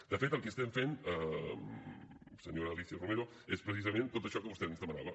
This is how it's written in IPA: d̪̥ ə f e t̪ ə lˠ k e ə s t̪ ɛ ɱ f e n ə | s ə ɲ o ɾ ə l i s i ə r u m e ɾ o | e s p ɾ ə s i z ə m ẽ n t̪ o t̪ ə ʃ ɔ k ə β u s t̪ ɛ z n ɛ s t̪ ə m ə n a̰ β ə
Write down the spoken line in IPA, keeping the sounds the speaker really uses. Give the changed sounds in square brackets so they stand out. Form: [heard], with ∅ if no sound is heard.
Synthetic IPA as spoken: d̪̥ ə f e t̪ ə lˠ k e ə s t̪ ɛ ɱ f e n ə | s ə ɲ o ɾ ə l i s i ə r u m e ɾ o | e s p ɾ ə s i z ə m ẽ n t̪ o t̪ ə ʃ ɔ k ə β u s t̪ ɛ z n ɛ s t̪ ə m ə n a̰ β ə